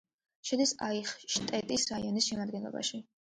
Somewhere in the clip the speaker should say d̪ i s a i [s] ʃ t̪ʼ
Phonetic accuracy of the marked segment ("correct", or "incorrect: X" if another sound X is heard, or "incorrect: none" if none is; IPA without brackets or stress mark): incorrect: χ